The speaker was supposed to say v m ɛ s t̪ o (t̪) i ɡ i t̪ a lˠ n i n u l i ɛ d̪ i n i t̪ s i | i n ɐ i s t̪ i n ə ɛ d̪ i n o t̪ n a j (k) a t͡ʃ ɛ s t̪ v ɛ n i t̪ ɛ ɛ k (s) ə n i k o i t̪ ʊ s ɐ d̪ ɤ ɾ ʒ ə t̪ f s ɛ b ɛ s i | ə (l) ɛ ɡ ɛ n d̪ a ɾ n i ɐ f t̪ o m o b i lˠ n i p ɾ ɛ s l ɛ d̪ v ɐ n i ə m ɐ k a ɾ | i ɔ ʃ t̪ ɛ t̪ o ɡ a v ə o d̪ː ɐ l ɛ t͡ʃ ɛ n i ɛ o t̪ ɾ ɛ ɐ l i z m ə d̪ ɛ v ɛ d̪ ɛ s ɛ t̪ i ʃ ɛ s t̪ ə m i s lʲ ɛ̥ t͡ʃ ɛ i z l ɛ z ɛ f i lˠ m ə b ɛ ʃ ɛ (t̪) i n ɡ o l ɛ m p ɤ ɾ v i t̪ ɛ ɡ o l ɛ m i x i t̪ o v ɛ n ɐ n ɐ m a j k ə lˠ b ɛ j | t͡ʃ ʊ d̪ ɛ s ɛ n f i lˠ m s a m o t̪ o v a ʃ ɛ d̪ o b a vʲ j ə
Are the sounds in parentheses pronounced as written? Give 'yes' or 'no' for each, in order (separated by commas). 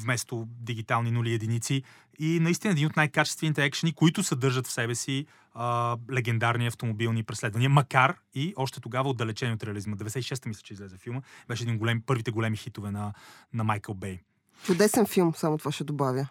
no, yes, no, yes, no